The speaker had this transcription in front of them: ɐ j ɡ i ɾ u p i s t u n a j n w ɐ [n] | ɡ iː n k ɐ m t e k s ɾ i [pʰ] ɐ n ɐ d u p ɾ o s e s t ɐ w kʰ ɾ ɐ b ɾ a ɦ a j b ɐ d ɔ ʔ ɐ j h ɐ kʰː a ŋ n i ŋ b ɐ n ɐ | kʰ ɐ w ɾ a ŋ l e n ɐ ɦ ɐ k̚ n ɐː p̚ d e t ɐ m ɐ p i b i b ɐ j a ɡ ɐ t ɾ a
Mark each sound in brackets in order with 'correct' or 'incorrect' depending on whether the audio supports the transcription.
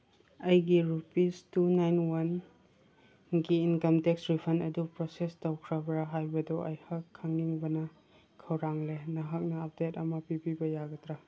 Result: correct, correct

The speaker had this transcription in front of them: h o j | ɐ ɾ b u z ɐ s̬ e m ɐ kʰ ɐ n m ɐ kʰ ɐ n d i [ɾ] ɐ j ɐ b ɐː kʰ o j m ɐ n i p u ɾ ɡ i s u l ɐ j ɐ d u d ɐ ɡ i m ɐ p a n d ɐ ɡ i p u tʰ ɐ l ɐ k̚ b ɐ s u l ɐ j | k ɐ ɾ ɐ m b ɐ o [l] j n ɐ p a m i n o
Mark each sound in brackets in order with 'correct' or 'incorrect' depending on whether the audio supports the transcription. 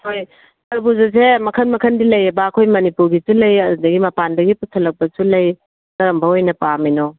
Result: incorrect, incorrect

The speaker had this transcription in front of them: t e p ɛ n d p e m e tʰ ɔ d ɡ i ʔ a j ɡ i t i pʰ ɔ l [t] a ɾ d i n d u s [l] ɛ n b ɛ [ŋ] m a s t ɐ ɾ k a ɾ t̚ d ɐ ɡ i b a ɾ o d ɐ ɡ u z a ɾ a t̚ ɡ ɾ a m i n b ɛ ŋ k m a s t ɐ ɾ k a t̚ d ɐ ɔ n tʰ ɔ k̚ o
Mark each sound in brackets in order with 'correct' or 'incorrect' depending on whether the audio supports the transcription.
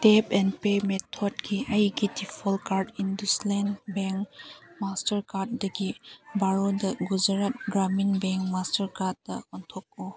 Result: incorrect, correct, correct

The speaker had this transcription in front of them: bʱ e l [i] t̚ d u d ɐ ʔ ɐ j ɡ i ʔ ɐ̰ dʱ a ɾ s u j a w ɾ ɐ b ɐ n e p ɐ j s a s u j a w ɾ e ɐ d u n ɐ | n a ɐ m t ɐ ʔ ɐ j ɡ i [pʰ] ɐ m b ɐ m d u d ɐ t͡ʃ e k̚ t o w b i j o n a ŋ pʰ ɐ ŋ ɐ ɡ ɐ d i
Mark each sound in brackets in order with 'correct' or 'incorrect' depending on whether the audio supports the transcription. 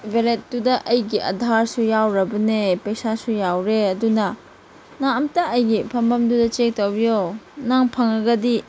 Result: incorrect, correct

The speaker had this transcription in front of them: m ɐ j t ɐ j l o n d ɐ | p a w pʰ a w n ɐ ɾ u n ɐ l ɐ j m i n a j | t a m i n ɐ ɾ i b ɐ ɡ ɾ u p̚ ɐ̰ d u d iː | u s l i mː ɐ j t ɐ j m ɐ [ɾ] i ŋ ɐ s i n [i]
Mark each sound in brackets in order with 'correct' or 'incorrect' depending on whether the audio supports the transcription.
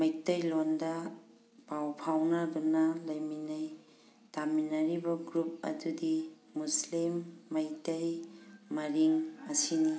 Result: correct, correct

